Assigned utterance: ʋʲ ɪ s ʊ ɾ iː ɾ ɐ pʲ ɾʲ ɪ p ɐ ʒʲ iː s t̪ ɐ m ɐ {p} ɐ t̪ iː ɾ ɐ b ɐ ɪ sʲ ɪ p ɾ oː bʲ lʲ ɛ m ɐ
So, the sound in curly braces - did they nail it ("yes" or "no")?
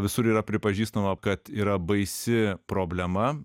no